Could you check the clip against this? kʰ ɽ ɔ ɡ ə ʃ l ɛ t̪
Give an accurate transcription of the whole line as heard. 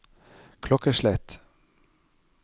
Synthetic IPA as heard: kʰ l ɔ k ə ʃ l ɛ t̪